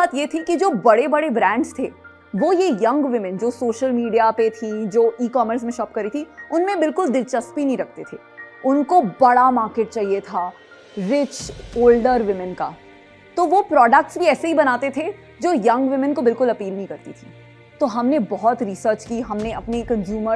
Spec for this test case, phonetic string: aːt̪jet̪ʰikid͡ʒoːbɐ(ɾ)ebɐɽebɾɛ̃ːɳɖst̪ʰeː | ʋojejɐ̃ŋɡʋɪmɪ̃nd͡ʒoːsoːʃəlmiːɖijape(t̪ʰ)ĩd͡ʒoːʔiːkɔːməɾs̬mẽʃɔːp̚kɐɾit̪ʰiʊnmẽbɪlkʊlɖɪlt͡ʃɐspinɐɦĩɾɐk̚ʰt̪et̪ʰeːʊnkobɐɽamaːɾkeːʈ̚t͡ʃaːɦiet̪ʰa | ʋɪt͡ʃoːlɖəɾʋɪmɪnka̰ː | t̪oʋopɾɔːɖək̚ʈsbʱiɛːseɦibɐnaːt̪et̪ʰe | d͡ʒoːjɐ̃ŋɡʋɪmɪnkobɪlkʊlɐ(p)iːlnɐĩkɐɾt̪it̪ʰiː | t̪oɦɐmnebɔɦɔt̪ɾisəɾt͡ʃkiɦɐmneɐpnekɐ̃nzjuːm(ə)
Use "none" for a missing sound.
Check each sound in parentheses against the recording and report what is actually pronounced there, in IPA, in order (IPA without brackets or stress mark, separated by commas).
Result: ɽ, t̪ʰ, p, ə